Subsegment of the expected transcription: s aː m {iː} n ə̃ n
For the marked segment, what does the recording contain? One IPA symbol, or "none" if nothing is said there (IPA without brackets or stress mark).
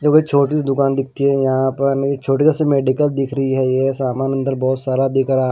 aː